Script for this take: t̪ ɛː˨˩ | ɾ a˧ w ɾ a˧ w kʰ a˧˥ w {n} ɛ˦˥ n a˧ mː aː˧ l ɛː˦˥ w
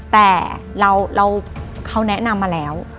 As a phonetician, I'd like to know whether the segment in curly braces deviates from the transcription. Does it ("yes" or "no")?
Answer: no